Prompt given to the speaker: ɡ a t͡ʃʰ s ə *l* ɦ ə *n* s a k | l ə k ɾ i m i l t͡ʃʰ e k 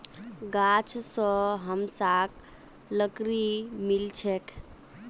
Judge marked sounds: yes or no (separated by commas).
no, no